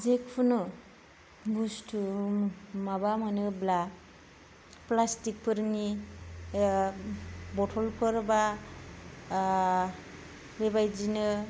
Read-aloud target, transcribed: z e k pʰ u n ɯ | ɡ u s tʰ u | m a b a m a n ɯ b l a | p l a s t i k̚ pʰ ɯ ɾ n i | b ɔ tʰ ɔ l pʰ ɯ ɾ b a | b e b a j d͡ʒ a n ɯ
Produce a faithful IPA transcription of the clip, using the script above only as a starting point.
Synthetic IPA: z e k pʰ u n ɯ | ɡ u s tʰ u | m a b a m a n ɯ b l a | p l a s t i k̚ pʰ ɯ ɾ n i | b ɔ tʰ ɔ l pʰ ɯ ɾ b a | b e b a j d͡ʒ i n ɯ